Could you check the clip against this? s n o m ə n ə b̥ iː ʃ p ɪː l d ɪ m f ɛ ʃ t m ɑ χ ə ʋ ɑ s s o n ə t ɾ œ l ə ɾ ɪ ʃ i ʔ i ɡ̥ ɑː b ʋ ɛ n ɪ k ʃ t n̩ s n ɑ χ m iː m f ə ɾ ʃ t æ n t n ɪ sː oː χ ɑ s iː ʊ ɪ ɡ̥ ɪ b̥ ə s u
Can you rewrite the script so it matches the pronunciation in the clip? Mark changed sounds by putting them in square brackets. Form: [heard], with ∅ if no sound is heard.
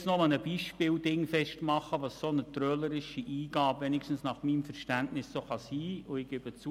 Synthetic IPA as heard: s n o m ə n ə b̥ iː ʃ p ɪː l d ɪ [ŋ] f ɛ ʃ t m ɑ χ ə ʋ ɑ s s o n ə t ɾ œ l ə ɾ ɪ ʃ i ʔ [iː] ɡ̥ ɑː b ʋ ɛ n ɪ k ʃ t n̩ s n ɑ χ m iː m f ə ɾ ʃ t æ n t n ɪ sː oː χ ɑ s iː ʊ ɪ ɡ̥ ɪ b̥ ə [t͡s] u

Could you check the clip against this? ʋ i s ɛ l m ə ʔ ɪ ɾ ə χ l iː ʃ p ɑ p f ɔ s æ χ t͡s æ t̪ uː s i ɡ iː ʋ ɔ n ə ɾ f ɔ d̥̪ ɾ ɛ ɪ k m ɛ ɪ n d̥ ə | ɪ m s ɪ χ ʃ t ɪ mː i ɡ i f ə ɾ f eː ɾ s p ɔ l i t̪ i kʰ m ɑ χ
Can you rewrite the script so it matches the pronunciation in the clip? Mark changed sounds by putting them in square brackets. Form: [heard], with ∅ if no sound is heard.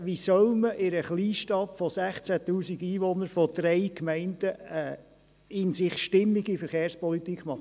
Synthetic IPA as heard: ʋ i s [œ] l m ə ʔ ɪ ɾ ə χ l iː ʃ [t] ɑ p f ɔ s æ χ t͡s æ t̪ uː s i ɡ iː ʋ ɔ n ə ɾ f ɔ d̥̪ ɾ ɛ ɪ k m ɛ ɪ n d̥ ə | ɪ [n] s ɪ χ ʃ t ɪ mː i ɡ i f ə ɾ [χ] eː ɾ s p ɔ l i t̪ i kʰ m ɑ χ

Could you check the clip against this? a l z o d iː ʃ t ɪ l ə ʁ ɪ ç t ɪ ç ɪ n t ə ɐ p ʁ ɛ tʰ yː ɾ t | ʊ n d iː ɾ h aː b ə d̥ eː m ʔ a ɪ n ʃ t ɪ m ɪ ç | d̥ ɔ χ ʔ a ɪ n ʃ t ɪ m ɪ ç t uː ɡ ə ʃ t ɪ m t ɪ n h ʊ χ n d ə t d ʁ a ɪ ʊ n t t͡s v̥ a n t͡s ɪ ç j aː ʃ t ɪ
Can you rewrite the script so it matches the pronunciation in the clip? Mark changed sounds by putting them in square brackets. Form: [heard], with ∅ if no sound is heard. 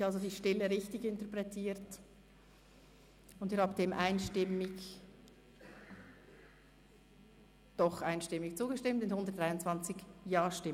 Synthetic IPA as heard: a l z o d iː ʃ t ɪ l ə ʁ ɪ ç t ɪ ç ɪ n t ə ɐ p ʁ ɛ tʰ [iː] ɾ t | ʊ n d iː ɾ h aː b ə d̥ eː m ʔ a ɪ n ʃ t ɪ m ɪ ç | d̥ ɔ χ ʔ a ɪ n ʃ t ɪ m ɪ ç [t͡s] uː ɡ ə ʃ t ɪ m t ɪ n h ʊ [∅] n d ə t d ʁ a ɪ ʊ n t t͡s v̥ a n t͡s ɪ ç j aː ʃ t ɪ

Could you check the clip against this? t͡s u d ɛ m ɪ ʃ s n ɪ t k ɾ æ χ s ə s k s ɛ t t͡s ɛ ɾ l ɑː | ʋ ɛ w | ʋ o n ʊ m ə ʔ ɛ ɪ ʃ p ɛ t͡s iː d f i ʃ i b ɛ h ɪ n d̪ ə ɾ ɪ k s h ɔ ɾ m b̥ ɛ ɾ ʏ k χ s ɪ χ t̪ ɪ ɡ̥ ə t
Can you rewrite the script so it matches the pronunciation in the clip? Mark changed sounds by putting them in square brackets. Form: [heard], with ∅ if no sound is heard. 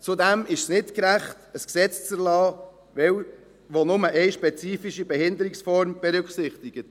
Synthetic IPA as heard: t͡s u d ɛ m ɪ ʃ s n ɪ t k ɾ æ χ [t] ə s k s ɛ [t͡s] t͡s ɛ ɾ l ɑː | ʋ ɛ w | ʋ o n ʊ m ə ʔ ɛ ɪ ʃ p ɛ t͡s iː [∅] f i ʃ i b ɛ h ɪ n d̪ ə ɾ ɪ k s [f] ɔ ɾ m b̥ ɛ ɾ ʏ k χ s ɪ χ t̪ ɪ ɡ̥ ə t

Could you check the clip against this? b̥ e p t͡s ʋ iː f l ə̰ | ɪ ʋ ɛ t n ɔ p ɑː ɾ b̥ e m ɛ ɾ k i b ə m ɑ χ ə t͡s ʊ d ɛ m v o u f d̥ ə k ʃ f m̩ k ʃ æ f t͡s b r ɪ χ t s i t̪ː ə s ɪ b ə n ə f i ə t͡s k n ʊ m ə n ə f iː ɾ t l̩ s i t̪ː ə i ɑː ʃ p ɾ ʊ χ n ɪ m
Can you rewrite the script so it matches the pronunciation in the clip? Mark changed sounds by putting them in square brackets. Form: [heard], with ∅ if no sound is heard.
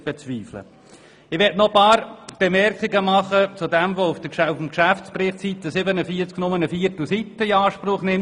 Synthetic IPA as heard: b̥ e [∅] t͡s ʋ iː f l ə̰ | ɪ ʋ ɛ t n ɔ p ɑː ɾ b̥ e m ɛ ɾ k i [ɡ] ə m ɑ χ ə t͡s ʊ d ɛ m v o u f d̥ ə k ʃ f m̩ k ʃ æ f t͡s [p] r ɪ χ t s i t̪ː ə s ɪ b ə n ə f i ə t͡s k n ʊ m ə n ə f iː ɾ t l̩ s i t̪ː ə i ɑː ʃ p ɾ ʊ χ n ɪ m

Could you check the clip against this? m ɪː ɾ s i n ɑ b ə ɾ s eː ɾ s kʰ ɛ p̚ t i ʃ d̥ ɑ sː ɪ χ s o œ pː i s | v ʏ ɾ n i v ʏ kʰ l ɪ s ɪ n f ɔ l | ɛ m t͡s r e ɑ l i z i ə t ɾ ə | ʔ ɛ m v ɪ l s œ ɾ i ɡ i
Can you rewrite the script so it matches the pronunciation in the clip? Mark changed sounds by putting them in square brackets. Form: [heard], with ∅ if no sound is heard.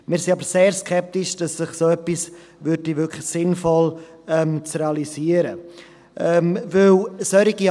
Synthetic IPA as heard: m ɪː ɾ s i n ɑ b ə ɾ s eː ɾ s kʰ ɛ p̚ t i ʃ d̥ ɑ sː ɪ χ s o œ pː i s | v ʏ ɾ [d] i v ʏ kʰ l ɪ s ɪ n f ɔ l | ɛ m t͡s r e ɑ l i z i ə [∅] ɾ ə | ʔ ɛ m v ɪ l s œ ɾ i ɡ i

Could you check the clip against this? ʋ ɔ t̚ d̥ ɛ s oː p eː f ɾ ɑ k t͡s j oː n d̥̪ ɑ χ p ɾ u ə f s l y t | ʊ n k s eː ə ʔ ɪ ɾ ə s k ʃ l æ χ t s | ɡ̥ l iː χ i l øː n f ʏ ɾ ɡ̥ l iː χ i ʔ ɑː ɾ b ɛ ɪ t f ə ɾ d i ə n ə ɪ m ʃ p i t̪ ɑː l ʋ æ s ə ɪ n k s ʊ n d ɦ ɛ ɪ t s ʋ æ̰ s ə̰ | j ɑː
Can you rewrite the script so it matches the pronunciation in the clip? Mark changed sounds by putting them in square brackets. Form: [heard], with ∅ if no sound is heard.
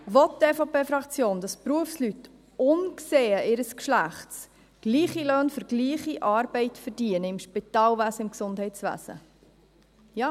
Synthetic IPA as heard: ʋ ɔ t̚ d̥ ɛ [f] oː p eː f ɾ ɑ k t͡s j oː n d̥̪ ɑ [s] p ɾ u ə f s l y t | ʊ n k s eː ə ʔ ɪ ɾ ə s k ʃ l æ χ t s | ɡ̥ l iː χ i l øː n f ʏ ɾ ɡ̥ l iː χ i ʔ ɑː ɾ b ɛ ɪ t f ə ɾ d i ə n ə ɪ m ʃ p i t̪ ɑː l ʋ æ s ə ɪ [m] k s ʊ n d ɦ ɛ ɪ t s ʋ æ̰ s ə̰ | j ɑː

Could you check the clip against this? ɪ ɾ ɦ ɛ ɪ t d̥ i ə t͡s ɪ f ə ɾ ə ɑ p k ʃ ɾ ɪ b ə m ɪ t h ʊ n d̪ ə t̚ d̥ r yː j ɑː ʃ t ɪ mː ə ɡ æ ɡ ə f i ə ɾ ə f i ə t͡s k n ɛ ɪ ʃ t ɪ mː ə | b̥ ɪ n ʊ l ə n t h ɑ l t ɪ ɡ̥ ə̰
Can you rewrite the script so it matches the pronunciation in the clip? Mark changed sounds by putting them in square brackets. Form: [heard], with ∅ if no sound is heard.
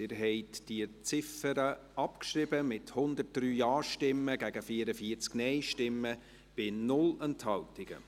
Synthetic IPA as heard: ɪ ɾ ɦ ɛ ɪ t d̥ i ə t͡s ɪ f ə ɾ ə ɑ p k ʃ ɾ ɪ b ə m ɪ t h ʊ n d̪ ə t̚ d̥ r yː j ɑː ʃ t ɪ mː ə ɡ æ ɡ ə f i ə ɾ ə f i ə t͡s k n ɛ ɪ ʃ t ɪ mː ə | b̥ ɪ n ʊ l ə n t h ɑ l t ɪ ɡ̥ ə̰

